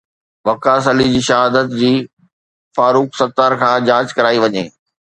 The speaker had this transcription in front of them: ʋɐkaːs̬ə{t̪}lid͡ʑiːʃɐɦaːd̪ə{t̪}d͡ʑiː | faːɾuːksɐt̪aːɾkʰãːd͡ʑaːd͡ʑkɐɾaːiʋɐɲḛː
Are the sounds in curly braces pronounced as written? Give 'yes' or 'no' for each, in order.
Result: no, yes

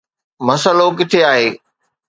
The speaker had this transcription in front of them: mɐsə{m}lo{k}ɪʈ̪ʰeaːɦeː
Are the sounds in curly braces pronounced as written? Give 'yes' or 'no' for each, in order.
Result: no, yes

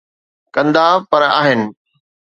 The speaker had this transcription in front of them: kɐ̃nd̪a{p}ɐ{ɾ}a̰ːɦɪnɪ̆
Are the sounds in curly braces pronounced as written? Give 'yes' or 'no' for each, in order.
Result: yes, yes

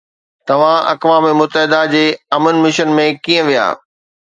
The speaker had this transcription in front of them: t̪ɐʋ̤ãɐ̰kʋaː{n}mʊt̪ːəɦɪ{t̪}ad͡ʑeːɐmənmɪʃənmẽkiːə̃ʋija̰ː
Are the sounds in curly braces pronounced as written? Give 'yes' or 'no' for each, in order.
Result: no, no

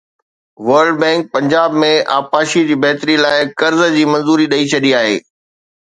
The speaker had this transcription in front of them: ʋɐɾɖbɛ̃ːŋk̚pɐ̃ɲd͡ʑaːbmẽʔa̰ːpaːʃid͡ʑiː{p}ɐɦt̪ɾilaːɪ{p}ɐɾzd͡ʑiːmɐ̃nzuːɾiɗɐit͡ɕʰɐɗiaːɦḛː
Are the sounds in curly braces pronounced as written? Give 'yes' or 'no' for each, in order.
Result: no, no

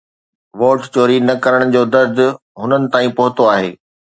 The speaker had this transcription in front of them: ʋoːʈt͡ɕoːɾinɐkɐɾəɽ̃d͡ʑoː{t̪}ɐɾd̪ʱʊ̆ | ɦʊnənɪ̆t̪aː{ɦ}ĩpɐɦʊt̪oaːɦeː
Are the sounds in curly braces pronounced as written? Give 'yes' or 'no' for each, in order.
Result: no, no

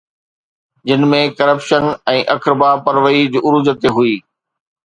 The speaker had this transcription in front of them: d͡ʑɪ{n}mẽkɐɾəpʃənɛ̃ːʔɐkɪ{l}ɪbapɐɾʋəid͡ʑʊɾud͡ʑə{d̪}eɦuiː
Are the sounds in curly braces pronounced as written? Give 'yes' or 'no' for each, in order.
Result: yes, no, no

